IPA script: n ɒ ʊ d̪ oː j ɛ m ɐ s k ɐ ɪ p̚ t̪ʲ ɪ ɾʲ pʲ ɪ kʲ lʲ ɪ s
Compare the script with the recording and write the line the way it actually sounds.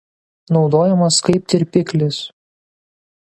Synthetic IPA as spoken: n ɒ ʊ d̪ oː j ɛ m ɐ s k ɐ ɪ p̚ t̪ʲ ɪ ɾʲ pʲ ɪ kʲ lʲ ɪ s